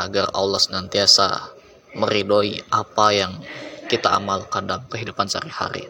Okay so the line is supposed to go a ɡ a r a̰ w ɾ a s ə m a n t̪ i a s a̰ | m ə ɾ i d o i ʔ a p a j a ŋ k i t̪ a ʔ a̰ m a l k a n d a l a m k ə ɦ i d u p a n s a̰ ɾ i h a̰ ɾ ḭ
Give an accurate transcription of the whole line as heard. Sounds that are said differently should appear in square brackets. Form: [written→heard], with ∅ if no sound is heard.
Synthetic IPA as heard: a ɡ a r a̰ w [ɾ→l] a s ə [m→n] a n t̪ i a s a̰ | m ə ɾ i d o i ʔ a p a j a ŋ k i t̪ a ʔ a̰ m a l k a n d a l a m k ə ɦ i d u p a n s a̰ ɾ i h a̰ ɾ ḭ